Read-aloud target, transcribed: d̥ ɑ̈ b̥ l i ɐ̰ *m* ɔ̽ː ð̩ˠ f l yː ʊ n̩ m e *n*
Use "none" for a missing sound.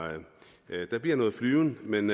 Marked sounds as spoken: n, n

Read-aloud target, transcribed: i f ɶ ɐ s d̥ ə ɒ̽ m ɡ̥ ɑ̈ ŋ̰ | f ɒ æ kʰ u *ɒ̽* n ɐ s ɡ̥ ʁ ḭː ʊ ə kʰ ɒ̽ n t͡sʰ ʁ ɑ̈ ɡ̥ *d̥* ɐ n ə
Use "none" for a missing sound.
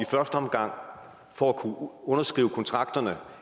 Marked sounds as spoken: ɔ̽, d̥

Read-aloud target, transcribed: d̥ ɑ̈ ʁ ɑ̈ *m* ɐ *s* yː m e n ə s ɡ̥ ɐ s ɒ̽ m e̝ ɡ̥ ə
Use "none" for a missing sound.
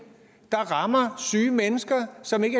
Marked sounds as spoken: m, s

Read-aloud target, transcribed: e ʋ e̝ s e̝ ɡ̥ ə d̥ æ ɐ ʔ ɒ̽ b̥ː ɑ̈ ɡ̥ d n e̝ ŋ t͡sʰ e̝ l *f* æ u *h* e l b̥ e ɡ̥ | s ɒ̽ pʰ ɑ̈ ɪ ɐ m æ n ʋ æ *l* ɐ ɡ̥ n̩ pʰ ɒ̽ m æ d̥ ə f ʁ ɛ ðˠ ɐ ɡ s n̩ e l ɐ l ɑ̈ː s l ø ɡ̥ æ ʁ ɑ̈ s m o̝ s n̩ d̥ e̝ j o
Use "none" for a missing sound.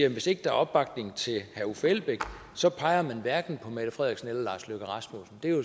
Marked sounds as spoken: h, f, none

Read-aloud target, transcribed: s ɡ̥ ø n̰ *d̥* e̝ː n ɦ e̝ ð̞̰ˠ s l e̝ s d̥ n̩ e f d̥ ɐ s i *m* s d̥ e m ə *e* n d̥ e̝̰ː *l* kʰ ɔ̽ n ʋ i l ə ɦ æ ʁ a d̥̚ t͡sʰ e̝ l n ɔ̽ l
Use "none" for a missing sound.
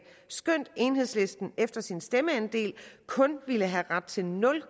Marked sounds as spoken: d̥, n, æ, l

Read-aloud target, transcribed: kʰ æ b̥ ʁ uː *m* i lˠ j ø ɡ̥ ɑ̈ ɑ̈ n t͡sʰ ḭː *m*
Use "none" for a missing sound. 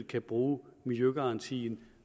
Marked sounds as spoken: m, n

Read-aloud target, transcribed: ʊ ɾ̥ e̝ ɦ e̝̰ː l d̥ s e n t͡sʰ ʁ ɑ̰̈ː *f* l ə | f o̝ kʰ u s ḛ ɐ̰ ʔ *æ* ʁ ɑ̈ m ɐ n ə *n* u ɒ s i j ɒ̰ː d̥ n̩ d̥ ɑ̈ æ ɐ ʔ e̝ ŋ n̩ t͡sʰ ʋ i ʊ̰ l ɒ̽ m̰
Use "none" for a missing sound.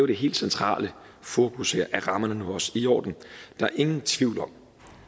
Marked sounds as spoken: none, æ, n

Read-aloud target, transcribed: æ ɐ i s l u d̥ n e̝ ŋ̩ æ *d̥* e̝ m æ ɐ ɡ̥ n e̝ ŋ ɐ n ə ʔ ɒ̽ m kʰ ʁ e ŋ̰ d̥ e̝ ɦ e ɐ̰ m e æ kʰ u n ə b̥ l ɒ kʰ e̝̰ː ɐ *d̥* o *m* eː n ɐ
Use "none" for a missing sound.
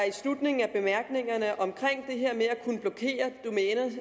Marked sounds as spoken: b̥, d̥, m

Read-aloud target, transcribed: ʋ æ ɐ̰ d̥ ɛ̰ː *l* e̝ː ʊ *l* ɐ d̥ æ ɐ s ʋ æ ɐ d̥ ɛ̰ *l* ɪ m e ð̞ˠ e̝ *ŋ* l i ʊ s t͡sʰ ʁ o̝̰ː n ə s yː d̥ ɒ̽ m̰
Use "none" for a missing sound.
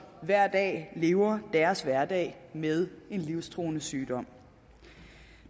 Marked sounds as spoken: l, none, none, n

